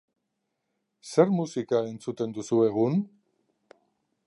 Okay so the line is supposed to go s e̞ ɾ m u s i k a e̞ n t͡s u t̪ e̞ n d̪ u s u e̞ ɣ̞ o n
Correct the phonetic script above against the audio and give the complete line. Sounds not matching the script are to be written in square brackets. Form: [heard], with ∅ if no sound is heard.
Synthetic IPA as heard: s e̞ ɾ m u s i k a e̞ n t͡s u t̪ e̞ n d̪ u s u e̞ ɣ̞ [u] n